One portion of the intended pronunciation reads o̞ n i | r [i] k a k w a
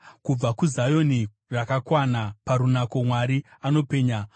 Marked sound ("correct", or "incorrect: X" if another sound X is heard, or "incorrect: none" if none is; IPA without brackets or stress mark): incorrect: a